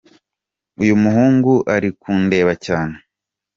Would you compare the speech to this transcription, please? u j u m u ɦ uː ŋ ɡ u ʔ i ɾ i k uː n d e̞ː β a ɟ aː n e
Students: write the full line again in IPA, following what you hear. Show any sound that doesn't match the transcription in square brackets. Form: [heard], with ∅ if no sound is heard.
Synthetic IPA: u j u m u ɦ uː ŋ ɡ u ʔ [a] ɾ i k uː n d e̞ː β a [c] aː n e